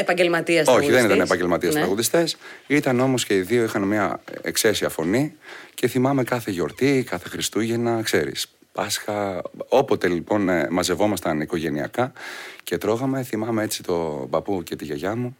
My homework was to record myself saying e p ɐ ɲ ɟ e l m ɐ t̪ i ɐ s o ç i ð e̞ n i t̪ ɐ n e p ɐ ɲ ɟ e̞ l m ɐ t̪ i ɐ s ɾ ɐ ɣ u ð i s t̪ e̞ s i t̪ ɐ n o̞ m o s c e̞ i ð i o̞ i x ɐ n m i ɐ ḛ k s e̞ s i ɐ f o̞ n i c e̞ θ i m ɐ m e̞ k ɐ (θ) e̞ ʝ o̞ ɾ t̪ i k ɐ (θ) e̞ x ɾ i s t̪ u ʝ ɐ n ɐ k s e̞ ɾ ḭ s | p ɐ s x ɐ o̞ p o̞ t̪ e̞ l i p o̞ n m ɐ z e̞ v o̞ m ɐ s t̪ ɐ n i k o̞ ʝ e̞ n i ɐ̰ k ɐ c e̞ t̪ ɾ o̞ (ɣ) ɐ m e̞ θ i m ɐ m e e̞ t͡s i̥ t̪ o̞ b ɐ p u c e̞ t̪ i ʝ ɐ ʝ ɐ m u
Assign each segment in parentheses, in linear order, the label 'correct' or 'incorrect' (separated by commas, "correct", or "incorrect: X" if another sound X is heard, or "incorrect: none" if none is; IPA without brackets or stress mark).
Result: correct, correct, correct